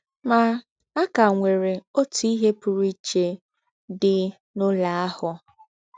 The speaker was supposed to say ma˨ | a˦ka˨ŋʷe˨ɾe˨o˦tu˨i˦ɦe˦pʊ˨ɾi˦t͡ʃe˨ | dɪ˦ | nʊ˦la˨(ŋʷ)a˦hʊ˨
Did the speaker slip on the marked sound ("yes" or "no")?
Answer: yes